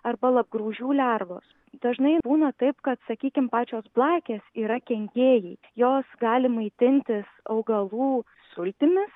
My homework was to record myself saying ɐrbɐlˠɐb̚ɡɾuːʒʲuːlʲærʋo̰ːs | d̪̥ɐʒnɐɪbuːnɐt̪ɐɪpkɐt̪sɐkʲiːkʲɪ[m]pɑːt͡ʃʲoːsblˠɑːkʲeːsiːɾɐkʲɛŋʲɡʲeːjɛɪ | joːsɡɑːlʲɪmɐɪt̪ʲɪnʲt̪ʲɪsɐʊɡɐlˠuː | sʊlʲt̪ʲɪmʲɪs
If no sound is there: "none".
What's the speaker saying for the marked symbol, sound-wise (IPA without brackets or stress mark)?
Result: m